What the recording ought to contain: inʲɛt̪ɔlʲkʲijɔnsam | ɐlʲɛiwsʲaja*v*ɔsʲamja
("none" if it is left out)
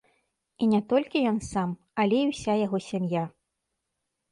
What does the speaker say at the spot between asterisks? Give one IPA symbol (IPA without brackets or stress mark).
ɣ